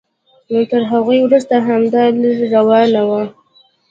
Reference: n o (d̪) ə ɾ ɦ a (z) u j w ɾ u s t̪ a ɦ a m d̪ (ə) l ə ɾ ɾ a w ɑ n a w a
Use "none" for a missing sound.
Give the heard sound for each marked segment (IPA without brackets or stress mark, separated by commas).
t̪, ɣ, ɑ